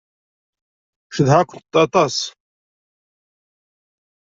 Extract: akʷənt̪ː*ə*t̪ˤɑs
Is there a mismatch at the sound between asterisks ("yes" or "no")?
yes